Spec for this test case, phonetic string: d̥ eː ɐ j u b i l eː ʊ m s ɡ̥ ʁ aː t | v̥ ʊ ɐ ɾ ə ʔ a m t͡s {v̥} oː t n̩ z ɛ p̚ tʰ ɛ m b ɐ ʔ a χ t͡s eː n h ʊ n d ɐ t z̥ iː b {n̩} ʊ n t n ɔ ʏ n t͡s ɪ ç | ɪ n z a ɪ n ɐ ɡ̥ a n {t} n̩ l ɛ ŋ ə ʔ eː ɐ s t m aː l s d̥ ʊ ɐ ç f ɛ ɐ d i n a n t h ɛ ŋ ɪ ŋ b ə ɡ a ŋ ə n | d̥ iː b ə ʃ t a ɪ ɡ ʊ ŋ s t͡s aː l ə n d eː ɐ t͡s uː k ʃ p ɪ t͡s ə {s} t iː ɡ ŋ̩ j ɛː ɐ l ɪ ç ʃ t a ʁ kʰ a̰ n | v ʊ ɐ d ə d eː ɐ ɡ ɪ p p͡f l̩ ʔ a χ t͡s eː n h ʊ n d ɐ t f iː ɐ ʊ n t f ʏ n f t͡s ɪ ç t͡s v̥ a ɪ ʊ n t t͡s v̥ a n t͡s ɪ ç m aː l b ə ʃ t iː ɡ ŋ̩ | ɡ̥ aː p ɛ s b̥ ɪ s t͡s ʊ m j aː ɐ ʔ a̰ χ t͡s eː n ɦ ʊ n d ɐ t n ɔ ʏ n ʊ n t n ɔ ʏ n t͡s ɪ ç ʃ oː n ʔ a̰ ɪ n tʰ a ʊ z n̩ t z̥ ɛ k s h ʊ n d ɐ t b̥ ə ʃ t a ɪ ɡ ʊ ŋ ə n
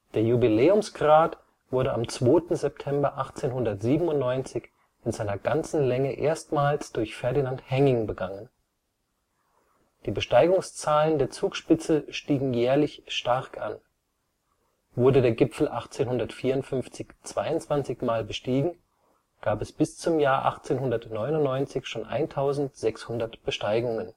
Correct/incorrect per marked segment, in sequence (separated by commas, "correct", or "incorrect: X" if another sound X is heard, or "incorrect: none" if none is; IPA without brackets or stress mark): correct, incorrect: m̩, incorrect: t͡s, incorrect: ʃ